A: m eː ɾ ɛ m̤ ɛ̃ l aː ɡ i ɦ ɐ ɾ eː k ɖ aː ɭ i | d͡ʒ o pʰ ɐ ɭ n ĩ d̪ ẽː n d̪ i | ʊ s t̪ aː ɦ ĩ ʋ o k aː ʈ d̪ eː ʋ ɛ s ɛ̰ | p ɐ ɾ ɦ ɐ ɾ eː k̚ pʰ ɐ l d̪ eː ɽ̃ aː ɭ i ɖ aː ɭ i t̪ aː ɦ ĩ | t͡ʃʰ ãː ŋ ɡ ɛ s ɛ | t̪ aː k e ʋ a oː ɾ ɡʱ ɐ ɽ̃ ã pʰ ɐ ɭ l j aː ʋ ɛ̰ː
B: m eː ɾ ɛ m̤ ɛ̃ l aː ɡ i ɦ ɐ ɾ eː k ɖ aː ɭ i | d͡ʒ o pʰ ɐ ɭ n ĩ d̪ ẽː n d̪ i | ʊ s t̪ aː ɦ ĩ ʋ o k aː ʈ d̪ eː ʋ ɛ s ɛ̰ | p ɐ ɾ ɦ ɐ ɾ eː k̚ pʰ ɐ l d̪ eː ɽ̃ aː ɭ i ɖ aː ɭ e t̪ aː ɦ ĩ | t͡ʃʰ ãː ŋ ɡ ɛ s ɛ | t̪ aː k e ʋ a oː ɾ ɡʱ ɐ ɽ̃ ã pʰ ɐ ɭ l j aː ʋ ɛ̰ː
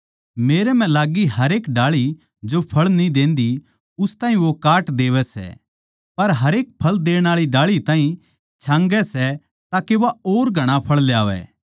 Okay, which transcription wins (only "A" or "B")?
A